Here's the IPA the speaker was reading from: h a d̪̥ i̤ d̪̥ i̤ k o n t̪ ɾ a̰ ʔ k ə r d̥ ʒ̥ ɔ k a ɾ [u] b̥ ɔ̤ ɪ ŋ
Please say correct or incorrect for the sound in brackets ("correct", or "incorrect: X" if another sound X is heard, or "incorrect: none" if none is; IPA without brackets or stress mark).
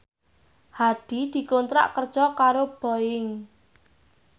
incorrect: o